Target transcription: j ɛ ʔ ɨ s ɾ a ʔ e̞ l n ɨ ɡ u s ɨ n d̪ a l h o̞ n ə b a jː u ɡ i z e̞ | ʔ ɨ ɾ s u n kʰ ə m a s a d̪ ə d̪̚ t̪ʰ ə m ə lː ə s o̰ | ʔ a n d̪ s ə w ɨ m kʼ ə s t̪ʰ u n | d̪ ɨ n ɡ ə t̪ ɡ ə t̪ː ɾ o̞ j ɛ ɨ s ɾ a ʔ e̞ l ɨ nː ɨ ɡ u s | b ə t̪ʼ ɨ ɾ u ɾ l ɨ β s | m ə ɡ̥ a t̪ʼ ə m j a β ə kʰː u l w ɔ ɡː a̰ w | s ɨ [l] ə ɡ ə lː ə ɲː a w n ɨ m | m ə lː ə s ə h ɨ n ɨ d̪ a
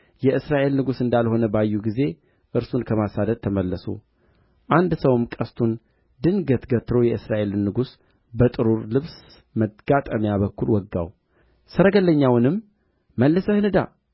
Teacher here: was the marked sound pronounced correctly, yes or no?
no